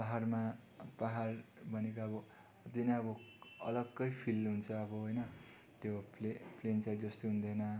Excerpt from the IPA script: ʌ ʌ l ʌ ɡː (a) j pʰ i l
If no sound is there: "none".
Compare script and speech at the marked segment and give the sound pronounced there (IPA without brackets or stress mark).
ʌ